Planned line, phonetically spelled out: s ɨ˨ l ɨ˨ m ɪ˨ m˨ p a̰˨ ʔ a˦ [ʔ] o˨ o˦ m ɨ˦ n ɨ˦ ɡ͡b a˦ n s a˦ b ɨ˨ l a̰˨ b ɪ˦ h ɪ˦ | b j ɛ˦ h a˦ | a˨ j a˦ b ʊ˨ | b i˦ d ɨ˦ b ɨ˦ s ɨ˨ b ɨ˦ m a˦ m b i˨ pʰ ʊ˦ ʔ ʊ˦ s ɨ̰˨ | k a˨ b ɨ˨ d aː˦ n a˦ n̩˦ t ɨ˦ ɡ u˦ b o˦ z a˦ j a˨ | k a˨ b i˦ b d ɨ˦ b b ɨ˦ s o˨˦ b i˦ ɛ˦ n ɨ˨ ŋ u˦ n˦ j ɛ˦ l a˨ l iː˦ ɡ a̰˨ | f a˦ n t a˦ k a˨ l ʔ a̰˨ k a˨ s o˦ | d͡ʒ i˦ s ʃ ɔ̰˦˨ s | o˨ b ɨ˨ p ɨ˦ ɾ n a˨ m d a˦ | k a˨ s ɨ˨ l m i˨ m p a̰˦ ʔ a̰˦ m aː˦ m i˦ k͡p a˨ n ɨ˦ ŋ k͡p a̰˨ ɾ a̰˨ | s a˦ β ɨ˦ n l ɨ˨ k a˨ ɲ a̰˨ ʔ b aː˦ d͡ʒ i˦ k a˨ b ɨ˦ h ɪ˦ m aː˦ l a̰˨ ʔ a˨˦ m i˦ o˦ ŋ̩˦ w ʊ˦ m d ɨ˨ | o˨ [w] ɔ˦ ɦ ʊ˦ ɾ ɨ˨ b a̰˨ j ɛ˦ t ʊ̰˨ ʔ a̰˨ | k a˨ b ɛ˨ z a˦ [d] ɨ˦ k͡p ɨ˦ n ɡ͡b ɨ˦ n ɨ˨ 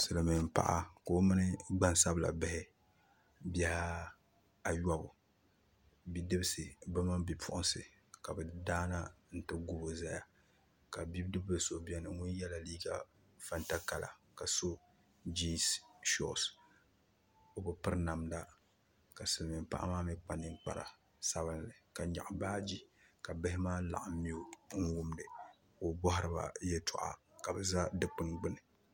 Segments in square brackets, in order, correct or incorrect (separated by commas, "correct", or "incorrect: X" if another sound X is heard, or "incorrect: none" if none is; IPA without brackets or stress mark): incorrect: k, incorrect: b, correct